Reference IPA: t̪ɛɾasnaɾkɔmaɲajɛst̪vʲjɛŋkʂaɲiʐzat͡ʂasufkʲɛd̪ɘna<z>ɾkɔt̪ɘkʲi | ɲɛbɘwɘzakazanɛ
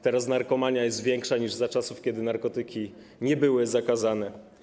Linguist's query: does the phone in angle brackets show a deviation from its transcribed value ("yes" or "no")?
yes